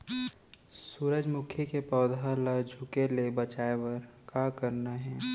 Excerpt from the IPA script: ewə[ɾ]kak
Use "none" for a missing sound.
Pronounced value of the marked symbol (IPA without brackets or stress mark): ɾ